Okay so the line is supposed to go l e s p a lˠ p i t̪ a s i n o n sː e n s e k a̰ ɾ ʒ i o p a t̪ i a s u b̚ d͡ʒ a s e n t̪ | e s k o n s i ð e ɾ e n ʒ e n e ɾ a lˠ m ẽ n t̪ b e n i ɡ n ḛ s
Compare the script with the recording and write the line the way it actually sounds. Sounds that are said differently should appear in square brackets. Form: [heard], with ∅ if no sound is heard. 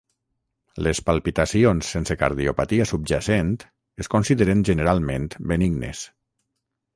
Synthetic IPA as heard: l e s p a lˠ p i t̪ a s i [∅] o n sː e n s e k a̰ ɾ [ð] i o p a t̪ i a s u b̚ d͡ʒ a s e n t̪ | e s k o n s i ð e ɾ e n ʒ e n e ɾ a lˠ m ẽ n t̪ b e n i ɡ n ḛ s